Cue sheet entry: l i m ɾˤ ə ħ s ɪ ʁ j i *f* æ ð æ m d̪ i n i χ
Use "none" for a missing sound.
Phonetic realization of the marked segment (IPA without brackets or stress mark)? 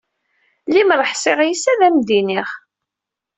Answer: s